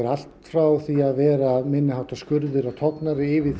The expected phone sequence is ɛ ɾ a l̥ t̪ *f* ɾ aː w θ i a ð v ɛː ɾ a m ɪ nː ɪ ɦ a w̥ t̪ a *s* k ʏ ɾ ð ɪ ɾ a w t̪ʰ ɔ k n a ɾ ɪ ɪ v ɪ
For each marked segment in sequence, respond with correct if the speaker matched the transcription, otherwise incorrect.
correct, correct

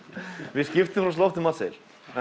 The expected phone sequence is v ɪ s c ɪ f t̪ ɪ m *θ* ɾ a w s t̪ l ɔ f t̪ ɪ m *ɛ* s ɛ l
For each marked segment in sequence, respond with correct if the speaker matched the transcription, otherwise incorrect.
incorrect: f, incorrect: a

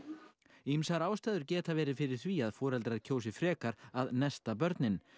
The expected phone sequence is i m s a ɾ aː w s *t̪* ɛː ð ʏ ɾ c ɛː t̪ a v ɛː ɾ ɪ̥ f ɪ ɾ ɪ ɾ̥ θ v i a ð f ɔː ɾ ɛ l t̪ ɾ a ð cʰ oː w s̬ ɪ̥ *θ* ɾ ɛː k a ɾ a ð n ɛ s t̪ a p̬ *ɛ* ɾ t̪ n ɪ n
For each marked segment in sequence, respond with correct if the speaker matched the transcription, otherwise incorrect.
correct, incorrect: f, incorrect: œ

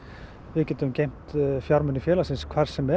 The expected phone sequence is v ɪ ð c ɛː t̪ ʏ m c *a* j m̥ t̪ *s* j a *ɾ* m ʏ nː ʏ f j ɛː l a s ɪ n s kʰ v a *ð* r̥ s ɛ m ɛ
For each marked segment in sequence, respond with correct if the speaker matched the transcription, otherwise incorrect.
incorrect: e, incorrect: f, correct, incorrect: none

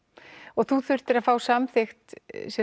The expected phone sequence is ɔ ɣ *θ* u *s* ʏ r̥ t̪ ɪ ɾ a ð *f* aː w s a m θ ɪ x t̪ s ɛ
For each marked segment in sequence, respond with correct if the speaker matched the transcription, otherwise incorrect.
correct, incorrect: θ, correct

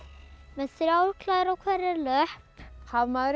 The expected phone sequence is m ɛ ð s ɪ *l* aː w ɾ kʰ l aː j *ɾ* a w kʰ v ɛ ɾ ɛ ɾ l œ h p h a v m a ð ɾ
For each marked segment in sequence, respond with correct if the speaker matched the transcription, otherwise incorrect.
incorrect: ɾ, correct

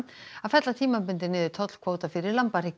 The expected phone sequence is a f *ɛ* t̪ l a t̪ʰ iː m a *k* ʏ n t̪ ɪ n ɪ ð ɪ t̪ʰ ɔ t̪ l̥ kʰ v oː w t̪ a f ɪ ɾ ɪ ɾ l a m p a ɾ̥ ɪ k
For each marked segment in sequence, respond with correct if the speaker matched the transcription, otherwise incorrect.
correct, incorrect: p

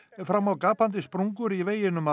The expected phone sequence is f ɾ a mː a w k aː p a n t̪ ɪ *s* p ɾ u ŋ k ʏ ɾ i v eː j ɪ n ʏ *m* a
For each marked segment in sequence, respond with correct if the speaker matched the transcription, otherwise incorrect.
correct, correct

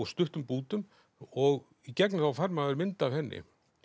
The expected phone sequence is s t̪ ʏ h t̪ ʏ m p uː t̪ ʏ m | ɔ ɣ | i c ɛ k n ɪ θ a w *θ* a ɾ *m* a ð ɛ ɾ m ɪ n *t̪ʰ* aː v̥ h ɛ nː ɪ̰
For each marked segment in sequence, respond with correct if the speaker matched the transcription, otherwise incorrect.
incorrect: f, correct, incorrect: t̪

